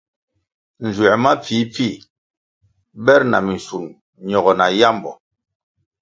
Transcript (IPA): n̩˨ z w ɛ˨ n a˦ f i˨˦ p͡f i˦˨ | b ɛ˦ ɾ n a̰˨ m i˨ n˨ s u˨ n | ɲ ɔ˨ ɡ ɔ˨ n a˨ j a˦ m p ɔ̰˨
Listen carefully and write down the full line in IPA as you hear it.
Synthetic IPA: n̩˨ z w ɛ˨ m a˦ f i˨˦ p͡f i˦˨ | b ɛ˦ ɾ n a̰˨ m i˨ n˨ s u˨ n | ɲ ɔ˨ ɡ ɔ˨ n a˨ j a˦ m b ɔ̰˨